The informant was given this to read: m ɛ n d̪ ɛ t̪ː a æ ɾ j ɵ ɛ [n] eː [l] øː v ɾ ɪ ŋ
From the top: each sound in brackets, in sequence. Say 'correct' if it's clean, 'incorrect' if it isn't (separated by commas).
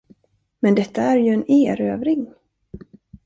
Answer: correct, incorrect